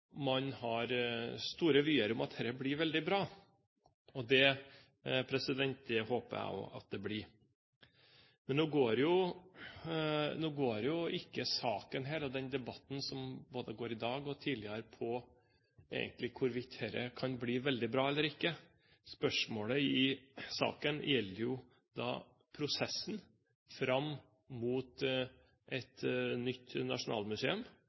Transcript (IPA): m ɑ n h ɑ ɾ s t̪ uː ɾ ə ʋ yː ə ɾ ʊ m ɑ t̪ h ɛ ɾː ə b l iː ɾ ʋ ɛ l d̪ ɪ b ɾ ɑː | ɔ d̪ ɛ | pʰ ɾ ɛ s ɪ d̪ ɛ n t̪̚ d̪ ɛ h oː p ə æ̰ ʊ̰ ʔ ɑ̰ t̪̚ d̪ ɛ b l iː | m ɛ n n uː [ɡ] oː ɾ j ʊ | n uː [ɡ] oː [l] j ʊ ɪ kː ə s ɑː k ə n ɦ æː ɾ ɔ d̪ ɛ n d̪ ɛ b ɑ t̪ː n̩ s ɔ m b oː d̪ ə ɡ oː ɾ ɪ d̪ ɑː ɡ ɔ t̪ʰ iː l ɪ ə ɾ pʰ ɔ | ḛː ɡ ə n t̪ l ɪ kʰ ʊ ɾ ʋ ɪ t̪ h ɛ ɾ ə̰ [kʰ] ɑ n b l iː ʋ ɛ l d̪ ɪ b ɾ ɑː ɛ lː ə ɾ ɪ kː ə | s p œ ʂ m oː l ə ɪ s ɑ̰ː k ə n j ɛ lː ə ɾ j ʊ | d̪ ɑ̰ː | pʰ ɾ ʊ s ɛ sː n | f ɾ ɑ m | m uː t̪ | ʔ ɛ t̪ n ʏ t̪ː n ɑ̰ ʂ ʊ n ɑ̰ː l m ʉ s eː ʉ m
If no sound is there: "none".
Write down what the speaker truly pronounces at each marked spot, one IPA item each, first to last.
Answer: ɡ, ɡ, ɾ, kʰ

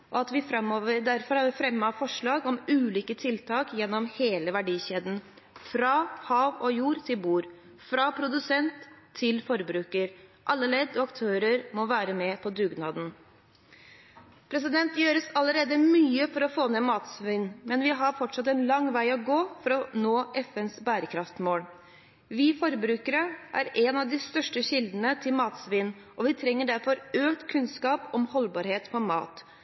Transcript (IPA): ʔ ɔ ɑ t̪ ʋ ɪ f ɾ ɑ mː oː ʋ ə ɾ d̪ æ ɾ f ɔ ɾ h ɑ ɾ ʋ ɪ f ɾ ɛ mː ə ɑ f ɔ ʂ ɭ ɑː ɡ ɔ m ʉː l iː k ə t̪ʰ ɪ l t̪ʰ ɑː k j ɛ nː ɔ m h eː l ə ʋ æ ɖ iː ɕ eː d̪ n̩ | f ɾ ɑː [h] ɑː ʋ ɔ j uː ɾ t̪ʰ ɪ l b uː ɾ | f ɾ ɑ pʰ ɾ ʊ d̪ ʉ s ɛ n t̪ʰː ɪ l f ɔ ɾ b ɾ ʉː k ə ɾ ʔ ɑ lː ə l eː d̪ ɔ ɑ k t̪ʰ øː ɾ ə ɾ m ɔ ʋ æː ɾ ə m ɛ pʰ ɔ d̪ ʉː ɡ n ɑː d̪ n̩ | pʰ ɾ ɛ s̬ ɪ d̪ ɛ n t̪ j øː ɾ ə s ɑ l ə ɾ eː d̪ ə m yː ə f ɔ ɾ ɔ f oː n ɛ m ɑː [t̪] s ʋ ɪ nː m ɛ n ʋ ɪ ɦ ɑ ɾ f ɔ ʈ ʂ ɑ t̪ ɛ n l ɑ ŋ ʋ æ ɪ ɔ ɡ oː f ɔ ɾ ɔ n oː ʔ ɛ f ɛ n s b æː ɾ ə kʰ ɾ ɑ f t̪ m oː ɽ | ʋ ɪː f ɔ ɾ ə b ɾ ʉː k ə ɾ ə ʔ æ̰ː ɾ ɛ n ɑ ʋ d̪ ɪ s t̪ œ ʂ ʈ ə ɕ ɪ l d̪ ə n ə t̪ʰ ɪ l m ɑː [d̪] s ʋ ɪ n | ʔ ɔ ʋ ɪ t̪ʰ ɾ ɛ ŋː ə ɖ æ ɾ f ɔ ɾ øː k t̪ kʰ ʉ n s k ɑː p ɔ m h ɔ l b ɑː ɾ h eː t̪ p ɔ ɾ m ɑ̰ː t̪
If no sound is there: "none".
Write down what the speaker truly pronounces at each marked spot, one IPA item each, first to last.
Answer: h, t̪, t̪

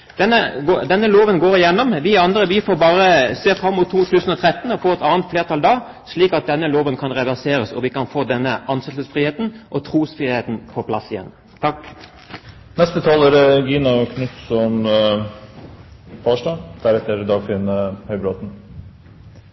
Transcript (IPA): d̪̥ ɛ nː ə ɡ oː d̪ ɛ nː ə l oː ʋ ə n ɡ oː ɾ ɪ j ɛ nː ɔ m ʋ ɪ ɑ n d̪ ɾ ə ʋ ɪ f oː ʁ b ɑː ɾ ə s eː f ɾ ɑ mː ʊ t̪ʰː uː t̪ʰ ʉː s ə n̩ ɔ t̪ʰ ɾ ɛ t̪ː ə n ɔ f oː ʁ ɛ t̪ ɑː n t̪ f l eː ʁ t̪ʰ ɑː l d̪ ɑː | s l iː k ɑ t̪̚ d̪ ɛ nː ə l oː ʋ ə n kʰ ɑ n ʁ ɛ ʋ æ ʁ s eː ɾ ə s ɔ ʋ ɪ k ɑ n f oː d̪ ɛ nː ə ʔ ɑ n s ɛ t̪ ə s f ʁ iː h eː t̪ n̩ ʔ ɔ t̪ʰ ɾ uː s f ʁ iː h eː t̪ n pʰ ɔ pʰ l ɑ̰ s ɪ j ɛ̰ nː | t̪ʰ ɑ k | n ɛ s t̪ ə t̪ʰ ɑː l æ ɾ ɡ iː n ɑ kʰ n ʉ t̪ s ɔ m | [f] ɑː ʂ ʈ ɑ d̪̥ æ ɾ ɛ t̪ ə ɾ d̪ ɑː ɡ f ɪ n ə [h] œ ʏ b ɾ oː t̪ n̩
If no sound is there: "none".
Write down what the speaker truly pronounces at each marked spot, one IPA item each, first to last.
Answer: f, h

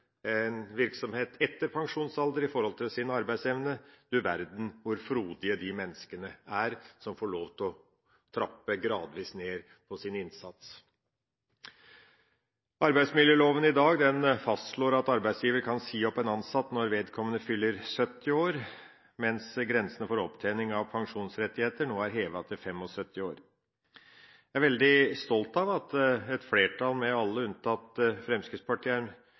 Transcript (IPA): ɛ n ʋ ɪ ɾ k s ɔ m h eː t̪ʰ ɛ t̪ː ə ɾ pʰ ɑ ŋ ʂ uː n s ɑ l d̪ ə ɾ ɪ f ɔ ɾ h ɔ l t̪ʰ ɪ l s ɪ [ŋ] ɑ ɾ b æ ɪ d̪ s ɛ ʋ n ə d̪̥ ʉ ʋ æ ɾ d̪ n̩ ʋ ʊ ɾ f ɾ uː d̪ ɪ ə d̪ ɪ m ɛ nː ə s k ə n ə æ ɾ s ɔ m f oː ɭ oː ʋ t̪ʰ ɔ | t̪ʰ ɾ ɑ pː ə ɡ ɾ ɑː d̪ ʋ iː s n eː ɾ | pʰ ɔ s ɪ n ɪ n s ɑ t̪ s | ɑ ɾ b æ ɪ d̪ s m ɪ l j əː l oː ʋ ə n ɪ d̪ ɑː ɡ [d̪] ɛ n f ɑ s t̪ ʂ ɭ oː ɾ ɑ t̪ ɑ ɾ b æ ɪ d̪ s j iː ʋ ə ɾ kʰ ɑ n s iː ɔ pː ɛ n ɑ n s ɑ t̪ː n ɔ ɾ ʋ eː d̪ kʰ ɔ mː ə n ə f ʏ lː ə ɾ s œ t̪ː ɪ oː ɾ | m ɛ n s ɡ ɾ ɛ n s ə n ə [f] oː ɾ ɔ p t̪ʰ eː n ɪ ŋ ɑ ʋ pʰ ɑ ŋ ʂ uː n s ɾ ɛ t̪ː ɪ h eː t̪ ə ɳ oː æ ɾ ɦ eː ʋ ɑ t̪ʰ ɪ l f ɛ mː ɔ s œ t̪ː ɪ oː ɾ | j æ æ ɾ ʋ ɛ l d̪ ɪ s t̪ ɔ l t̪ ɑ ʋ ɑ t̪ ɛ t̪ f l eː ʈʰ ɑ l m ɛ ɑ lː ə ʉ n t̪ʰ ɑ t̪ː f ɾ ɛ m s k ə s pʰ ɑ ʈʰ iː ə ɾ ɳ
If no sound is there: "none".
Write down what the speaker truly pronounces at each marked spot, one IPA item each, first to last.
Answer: n, d̪, f

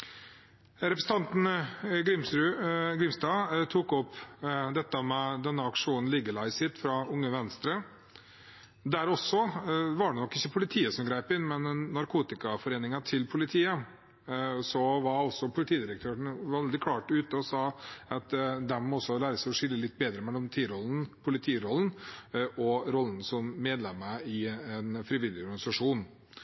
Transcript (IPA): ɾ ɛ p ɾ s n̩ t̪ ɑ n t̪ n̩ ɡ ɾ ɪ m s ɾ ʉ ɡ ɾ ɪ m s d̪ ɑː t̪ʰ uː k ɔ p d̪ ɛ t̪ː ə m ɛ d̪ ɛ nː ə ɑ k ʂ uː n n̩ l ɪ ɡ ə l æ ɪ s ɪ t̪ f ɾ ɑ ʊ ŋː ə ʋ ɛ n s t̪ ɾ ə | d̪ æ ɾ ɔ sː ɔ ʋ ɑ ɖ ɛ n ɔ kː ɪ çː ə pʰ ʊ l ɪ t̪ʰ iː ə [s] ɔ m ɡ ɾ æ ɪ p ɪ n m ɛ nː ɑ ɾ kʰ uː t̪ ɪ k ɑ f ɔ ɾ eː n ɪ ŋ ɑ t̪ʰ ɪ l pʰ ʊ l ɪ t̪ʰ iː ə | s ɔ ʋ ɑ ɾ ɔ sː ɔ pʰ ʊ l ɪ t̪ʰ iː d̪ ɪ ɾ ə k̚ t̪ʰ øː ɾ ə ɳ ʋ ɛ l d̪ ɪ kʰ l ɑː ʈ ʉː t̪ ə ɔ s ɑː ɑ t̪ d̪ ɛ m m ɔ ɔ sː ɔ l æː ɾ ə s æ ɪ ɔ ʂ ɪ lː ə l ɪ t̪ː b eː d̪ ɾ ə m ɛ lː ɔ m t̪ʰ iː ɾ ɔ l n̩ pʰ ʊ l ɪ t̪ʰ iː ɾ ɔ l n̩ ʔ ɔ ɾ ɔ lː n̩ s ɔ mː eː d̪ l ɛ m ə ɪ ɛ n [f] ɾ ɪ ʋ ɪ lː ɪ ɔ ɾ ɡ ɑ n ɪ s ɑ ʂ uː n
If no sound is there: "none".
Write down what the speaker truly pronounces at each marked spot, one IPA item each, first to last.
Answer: s, f

